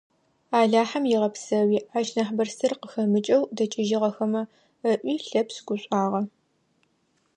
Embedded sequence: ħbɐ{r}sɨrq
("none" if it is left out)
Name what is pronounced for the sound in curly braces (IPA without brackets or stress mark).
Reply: r